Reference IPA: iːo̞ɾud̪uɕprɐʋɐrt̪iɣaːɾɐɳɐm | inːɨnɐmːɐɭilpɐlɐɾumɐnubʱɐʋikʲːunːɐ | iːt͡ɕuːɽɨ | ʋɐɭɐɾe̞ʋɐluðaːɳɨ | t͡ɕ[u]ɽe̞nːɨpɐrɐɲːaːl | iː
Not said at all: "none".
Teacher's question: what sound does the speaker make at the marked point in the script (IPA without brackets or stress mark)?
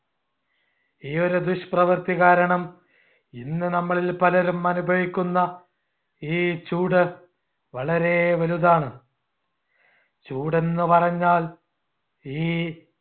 uː